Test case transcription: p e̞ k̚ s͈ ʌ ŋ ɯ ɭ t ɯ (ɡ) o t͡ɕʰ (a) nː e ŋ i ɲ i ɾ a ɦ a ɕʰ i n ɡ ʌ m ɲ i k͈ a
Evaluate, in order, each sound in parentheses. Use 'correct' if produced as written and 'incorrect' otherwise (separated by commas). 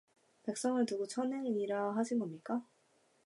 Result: correct, incorrect